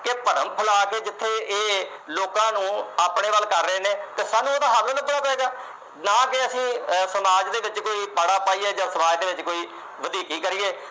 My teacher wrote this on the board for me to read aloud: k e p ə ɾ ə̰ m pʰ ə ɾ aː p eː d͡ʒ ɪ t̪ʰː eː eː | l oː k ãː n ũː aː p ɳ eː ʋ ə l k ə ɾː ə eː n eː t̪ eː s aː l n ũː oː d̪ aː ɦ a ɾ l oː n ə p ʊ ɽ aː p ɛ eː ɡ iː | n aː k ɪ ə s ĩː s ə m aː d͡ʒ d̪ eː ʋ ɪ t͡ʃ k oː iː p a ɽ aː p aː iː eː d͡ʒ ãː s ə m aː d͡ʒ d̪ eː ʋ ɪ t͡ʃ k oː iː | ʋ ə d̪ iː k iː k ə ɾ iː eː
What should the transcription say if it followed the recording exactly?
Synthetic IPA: k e p ə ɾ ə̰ m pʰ ə l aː k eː d͡ʒ ɪ t̪ʰː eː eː | l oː k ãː n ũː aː p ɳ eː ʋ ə l k ə ɾː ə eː n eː t̪ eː s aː n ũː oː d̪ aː ɦ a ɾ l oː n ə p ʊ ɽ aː p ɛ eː ɡ aː | n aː k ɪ ə s ĩː s ə m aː d͡ʒ d̪ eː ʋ ɪ t͡ʃ k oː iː p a ɽ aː p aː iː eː d͡ʒ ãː s ə m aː d͡ʒ d̪ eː ʋ ɪ t͡ʃ k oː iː | ʋ ə d̪ iː k iː k ə ɾ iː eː